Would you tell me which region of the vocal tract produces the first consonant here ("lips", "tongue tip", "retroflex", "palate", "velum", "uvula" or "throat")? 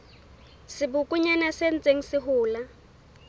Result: tongue tip